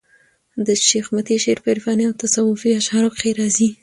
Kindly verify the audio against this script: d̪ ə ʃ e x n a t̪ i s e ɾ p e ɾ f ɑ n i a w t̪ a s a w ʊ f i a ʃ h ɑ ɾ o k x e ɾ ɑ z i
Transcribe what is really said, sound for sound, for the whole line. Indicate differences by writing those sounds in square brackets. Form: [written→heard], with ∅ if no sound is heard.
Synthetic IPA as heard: d̪ ə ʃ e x [n→m] a t̪ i [s→ʃ] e ɾ p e ɾ f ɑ n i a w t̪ a s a w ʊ f i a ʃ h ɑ ɾ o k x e ɾ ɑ z i